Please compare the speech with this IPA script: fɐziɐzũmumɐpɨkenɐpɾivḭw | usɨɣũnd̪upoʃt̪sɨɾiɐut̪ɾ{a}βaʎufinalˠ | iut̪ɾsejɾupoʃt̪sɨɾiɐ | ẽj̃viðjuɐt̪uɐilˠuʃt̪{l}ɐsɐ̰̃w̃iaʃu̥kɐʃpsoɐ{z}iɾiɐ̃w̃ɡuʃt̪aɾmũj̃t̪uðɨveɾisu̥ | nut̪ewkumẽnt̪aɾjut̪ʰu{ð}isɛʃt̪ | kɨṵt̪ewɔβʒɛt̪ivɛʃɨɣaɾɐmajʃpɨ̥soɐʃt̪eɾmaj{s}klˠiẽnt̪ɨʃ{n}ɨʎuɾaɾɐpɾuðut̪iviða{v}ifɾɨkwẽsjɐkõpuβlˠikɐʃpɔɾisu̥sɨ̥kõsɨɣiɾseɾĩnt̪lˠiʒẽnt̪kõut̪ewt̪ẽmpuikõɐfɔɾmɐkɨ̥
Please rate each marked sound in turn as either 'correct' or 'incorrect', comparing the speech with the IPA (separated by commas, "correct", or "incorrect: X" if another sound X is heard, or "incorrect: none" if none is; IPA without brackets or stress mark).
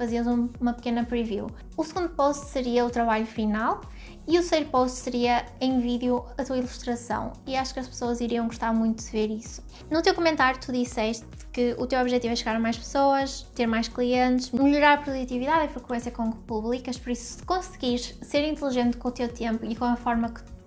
incorrect: ɐ, incorrect: ɾ, correct, correct, incorrect: ʃ, incorrect: m, incorrect: ð